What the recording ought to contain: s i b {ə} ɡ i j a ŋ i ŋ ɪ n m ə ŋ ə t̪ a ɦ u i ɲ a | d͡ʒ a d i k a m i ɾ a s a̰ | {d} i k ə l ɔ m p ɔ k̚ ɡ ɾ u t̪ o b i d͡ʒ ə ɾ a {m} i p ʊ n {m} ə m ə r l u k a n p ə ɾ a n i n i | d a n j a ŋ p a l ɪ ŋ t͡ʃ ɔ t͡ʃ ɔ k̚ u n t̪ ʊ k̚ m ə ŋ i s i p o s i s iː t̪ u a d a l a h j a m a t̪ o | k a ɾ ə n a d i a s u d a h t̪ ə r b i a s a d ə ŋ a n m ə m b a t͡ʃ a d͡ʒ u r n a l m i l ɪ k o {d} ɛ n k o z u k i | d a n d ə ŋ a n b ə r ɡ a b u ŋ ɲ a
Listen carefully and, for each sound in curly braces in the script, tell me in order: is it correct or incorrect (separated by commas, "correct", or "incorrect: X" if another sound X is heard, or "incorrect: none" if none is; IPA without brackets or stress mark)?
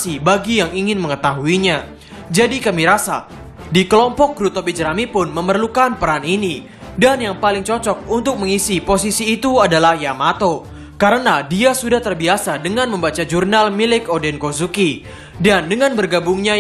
incorrect: a, correct, correct, correct, correct